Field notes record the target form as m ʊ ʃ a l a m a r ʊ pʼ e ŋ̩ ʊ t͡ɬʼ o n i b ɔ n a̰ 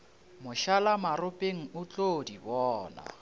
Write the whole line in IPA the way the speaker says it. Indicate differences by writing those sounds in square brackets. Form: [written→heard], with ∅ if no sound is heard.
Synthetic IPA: m ʊ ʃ a l a m a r ʊ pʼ e ŋ̩ ʊ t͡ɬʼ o [n→d] i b [ɔ→ɔː] n a̰